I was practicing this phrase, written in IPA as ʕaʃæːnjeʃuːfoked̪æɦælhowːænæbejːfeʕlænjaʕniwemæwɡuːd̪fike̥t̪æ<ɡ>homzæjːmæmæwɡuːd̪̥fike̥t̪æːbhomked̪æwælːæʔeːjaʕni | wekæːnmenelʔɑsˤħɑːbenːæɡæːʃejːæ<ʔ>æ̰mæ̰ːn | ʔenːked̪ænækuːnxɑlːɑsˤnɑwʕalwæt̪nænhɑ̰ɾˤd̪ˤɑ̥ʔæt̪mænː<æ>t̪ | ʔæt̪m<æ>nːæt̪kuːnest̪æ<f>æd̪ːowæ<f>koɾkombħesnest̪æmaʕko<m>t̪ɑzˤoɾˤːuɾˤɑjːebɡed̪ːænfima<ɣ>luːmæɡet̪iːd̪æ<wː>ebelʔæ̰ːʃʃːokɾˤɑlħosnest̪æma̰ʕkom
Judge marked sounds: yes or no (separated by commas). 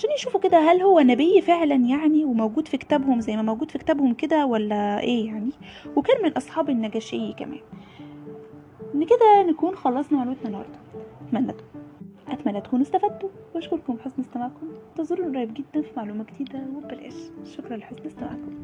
no, no, yes, yes, yes, no, yes, no, no